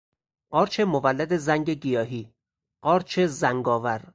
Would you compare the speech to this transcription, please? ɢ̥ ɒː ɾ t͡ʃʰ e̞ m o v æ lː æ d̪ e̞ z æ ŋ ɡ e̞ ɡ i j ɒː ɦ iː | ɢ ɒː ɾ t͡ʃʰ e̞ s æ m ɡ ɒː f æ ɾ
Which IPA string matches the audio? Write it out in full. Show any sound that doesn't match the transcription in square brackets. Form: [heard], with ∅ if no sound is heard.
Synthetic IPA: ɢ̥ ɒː ɾ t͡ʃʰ e̞ m o v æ lː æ d̪ e̞ z æ ŋ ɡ e̞ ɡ i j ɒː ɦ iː | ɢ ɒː ɾ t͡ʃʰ e̞ [z] æ [ŋ] ɡ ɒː [v] æ ɾ